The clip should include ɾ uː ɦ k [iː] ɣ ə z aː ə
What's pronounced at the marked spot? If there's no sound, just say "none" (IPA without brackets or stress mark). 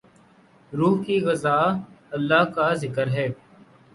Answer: iː